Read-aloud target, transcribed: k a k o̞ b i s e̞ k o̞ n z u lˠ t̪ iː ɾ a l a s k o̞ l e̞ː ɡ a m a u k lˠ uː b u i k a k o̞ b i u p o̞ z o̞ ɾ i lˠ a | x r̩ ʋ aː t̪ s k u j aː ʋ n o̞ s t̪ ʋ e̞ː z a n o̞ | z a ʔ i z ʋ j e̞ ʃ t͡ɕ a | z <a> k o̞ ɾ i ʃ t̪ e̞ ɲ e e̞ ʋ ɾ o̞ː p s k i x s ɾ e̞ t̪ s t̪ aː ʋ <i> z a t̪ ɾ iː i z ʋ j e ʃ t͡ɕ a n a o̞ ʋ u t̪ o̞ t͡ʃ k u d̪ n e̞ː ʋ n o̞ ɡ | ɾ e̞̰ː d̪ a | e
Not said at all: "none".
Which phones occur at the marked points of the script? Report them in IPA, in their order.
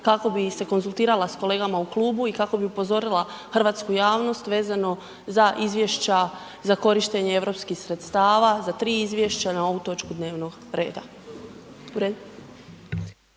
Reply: a, a

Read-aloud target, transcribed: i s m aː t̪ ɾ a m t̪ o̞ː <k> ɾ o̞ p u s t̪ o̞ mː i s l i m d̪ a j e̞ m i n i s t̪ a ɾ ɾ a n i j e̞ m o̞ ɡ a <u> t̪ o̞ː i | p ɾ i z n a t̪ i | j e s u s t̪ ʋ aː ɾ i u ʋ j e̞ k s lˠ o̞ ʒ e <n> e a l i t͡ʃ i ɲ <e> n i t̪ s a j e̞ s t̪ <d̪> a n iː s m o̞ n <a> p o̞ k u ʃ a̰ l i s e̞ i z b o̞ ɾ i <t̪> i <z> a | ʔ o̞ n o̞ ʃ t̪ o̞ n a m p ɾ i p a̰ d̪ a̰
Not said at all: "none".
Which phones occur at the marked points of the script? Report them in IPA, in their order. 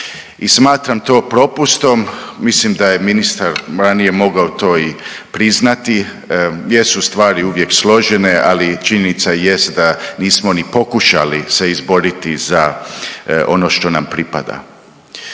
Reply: p, o, n, e, d̪, i, t̪, z

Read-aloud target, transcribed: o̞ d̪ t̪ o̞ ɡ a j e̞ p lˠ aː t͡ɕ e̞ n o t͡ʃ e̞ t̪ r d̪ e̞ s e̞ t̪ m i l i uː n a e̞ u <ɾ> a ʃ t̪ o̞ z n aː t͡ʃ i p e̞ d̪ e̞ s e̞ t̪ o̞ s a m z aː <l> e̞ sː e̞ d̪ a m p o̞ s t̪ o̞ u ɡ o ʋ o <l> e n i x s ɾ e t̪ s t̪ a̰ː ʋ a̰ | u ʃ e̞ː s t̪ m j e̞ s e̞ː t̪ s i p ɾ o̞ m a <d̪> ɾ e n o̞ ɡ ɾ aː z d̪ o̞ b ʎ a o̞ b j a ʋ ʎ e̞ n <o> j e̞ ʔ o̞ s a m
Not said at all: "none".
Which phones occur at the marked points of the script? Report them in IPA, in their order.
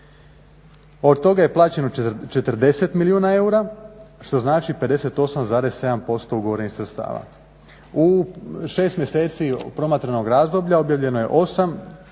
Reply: ɾ, ɾ, ɾ, t̪, o

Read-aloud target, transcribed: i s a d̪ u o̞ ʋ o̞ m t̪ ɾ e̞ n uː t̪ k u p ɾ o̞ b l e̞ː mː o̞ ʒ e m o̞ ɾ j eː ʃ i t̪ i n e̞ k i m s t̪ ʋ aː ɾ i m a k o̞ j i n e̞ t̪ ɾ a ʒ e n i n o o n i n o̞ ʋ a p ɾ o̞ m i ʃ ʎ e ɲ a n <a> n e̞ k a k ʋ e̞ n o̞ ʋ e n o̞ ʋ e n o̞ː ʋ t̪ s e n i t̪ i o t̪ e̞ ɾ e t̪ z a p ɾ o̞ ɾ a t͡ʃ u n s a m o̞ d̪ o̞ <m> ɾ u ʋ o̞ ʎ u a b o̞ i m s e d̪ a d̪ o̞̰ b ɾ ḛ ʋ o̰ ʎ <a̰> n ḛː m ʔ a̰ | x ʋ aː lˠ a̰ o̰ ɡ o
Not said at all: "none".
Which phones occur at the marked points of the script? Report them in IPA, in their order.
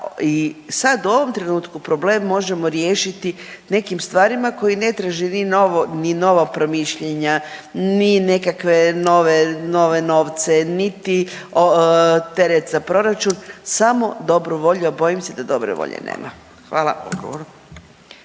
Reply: i, b, ḛ

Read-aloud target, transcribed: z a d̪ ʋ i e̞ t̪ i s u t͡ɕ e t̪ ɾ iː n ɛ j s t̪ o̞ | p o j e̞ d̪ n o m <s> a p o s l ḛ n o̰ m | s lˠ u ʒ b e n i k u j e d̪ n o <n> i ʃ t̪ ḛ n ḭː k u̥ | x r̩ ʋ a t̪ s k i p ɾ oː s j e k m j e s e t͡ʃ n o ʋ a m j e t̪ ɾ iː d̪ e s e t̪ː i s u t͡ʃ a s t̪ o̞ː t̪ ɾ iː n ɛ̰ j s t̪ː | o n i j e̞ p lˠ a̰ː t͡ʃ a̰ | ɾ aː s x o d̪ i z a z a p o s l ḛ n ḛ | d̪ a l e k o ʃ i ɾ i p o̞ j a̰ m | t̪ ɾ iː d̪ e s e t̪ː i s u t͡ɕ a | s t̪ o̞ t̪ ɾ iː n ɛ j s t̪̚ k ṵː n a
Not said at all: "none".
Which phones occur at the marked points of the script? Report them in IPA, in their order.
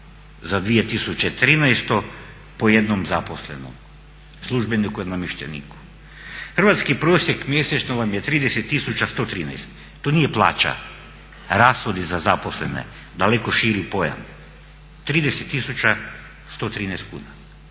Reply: z, m

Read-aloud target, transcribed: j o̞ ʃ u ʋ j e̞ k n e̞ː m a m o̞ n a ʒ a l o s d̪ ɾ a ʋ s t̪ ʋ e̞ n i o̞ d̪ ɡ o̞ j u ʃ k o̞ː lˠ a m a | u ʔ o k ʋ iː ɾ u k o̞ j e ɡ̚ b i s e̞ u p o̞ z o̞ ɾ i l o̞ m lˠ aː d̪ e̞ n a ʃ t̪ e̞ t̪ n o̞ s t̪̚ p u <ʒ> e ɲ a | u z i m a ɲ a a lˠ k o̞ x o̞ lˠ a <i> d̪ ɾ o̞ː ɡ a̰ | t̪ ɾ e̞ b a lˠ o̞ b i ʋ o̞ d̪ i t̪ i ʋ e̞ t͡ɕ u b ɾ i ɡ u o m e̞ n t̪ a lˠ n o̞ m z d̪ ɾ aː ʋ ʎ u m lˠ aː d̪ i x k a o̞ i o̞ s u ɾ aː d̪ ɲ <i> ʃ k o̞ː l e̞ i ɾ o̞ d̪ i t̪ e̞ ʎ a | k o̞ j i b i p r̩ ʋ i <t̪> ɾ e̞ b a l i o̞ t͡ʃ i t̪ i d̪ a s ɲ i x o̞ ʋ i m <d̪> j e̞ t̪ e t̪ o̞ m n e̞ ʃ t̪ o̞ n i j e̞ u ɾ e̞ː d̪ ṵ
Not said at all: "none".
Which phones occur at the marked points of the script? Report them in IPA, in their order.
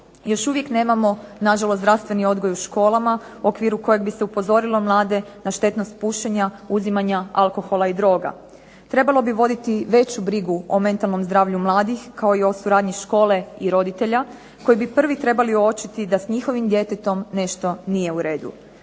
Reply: ʃ, i, i, t̪, d̪

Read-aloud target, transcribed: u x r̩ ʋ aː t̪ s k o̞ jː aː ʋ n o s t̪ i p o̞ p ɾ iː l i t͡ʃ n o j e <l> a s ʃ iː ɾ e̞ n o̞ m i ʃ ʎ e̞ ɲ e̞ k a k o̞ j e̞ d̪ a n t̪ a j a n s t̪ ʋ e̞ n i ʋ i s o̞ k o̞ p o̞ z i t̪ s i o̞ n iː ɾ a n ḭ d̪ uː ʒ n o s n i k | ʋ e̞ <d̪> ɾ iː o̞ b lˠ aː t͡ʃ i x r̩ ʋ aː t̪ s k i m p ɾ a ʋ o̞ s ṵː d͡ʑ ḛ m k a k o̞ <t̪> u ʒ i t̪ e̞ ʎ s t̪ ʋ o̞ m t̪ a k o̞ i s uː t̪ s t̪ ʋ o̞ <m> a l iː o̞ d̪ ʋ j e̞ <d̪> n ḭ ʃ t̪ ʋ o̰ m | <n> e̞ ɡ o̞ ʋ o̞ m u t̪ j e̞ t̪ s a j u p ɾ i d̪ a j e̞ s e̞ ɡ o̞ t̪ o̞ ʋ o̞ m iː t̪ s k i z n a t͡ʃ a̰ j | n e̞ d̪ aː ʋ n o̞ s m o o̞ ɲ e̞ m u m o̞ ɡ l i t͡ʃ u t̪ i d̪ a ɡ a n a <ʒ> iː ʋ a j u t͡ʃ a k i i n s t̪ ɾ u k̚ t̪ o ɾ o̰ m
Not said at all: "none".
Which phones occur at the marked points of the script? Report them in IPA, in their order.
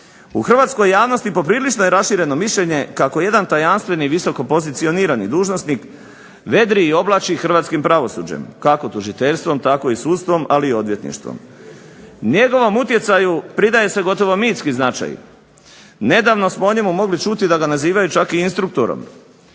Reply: ɾ, d̪, t̪, m, t̪, ɲ, z

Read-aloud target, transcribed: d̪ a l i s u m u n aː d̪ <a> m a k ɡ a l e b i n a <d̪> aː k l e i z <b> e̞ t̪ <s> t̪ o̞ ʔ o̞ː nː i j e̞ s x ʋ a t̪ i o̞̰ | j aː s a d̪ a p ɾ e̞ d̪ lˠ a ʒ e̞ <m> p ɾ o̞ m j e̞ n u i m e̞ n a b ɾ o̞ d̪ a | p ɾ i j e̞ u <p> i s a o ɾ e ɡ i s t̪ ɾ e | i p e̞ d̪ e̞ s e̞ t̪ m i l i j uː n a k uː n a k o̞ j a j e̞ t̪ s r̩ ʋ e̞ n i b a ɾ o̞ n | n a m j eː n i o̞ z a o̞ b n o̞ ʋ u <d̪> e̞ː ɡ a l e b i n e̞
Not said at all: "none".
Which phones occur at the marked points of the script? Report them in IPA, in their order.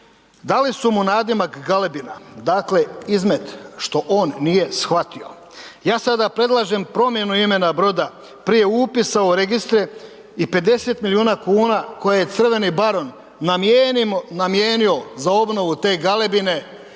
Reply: i, d̪, m, ʃ, m, p, t̪

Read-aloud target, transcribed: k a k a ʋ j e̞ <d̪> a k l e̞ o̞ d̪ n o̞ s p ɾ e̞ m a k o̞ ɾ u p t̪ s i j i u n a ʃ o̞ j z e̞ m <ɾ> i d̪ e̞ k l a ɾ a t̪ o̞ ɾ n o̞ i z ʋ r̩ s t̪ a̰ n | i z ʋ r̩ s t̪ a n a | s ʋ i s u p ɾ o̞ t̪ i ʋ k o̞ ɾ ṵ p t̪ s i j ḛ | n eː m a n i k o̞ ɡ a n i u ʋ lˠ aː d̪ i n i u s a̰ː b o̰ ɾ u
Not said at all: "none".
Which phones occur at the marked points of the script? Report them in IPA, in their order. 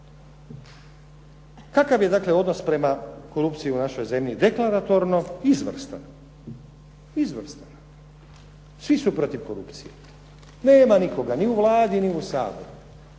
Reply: d̪, ʎ

